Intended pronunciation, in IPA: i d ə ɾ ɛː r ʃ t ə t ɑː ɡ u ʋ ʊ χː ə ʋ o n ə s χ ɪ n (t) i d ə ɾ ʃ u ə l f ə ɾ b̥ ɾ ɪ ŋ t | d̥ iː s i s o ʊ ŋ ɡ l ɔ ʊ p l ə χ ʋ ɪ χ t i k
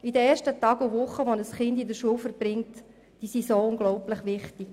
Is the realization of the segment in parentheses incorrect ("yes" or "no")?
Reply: yes